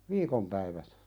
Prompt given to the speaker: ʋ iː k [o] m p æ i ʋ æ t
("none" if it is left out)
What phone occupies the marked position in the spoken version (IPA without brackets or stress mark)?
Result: o